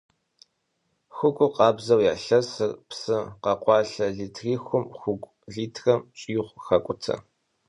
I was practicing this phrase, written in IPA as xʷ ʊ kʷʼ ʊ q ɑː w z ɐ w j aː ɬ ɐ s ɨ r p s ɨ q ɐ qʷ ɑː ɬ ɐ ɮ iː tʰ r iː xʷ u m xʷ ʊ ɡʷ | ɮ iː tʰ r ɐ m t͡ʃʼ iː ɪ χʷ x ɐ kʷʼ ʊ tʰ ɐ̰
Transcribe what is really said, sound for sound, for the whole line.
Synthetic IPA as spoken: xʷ ʊ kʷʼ ʊ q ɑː b z ɐ w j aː ɬ ɐ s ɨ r p s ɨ q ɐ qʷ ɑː ɬ ɐ ɮ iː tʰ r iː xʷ ʊ m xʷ ʊ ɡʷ | ɮ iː tʰ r ɐ m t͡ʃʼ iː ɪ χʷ x ɐ kʷʼ ʊ tʰ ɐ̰